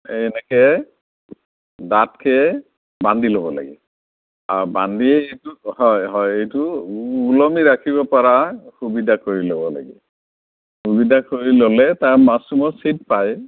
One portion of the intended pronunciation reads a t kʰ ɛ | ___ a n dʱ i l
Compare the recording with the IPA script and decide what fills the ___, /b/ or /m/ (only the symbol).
b